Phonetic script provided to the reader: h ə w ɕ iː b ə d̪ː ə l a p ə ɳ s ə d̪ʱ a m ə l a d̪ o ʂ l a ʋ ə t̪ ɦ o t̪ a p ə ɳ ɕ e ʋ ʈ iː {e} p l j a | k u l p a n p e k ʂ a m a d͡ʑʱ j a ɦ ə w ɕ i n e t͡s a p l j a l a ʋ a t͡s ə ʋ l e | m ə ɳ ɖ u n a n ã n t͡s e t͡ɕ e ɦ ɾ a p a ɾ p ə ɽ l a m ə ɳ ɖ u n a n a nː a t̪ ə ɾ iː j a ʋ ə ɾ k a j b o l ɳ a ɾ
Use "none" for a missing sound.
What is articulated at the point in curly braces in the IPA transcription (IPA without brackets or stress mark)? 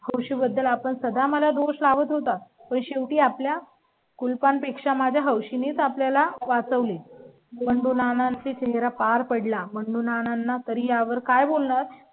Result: a